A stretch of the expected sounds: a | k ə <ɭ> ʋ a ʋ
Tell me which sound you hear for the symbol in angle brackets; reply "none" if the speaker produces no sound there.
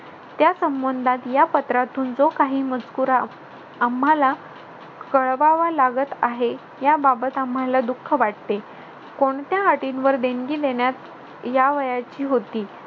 ɭ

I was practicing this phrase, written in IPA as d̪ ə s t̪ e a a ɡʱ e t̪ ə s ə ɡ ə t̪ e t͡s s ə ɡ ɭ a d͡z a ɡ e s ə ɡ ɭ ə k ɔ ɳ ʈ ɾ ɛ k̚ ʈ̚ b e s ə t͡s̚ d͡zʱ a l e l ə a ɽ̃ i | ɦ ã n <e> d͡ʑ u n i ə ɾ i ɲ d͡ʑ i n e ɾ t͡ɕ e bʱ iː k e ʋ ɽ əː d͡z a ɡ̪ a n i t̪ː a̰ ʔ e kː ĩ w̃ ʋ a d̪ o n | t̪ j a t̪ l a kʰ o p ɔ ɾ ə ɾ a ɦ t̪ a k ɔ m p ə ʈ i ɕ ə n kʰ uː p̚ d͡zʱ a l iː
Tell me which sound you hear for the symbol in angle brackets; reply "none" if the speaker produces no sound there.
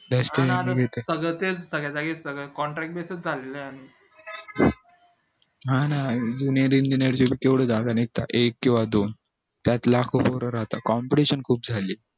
a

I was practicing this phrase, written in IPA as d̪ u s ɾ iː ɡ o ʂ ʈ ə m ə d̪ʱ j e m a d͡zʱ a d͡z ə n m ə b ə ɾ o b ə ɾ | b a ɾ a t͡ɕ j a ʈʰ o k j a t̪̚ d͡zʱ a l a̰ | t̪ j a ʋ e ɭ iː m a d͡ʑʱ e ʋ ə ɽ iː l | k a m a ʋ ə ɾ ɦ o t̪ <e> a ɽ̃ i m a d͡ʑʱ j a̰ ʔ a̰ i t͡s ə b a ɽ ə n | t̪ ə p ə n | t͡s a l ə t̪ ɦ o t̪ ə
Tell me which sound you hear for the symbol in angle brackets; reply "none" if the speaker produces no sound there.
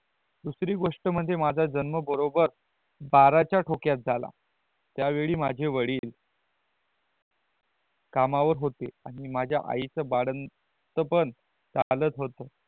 e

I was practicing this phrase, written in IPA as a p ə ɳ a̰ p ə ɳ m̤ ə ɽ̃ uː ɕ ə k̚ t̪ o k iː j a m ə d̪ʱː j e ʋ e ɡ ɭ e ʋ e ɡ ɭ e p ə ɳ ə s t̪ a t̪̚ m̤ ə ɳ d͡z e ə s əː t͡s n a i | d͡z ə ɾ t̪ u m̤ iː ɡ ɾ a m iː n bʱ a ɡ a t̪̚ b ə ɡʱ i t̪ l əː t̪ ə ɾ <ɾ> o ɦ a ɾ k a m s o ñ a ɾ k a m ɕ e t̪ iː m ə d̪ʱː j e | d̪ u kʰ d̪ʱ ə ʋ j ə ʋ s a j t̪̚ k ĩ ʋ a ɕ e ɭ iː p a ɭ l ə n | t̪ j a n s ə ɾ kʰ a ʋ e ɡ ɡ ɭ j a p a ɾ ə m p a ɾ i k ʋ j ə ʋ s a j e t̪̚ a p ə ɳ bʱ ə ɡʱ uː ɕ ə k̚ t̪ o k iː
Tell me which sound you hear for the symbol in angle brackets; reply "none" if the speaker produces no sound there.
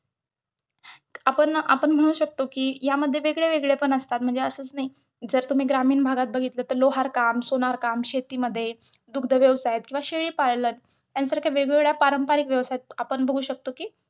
l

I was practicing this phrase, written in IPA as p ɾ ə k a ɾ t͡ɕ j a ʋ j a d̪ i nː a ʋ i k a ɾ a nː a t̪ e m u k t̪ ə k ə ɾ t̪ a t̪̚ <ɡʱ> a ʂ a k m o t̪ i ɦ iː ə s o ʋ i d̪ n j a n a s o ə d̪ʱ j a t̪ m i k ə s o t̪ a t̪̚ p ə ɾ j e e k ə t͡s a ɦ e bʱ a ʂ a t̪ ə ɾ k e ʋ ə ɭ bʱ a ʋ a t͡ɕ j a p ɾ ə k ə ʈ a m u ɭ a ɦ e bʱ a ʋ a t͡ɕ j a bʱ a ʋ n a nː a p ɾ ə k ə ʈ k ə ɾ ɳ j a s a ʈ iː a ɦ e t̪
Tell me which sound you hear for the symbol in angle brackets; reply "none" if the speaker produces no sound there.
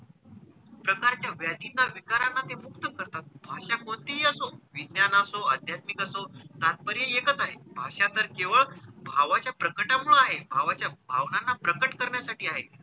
bʱ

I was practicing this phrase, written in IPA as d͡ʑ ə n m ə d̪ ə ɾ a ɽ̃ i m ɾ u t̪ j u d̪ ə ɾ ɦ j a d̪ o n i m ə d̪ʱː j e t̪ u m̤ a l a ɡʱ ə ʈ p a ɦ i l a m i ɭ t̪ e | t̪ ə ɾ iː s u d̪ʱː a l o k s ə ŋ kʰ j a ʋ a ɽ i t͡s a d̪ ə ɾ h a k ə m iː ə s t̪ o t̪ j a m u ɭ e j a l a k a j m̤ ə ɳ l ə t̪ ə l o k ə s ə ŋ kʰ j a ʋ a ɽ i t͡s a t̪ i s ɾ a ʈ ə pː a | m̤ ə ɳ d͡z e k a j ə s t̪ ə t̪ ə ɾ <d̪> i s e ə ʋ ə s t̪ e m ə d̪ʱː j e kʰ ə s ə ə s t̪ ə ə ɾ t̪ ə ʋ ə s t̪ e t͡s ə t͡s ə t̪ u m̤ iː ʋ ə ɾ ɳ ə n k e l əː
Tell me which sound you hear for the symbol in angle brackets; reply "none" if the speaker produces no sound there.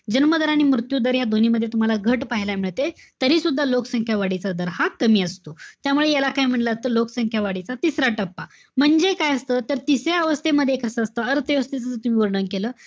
t̪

